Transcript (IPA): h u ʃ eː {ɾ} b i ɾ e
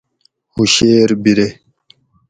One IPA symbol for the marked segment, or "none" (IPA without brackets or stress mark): ɾ